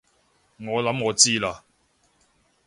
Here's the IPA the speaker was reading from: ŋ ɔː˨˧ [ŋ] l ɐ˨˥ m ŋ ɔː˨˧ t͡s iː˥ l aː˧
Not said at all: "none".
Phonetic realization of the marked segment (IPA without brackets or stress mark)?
none